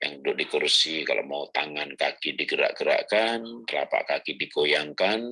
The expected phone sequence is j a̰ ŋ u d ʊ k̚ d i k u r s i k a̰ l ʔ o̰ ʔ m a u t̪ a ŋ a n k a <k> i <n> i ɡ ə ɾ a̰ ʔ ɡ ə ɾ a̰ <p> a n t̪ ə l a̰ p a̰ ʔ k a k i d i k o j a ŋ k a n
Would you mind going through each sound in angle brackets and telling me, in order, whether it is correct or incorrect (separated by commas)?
correct, incorrect, incorrect